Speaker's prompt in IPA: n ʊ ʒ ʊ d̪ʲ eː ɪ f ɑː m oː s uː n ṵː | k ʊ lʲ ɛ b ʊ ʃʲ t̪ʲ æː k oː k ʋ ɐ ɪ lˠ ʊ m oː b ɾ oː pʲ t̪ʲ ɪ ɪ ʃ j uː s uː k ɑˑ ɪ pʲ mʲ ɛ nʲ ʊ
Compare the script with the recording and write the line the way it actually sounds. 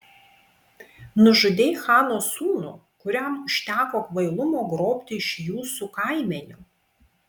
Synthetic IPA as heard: n ʊ ʒ ʊ d̪ʲ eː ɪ x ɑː n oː s uː n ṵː | k ʊ ɾʲ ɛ m ʊ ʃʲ t̪ʲ æː k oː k ʋ ɐ ɪ lˠ ʊ m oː ɡ ɾ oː pʲ t̪ʲ ɪ ɪ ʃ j uː s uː k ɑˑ ɪ mʲ ɛ nʲ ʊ